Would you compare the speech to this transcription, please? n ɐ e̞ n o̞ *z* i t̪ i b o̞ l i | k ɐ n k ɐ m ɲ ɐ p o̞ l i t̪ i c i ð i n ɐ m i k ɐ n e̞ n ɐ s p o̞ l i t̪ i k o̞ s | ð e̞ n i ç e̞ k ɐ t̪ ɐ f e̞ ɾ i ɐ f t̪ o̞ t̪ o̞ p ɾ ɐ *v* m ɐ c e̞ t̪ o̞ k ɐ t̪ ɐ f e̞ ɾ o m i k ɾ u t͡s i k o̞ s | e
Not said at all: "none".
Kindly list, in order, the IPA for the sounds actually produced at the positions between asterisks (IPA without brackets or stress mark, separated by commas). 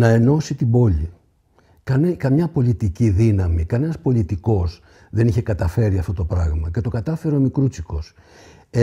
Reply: s, ɣ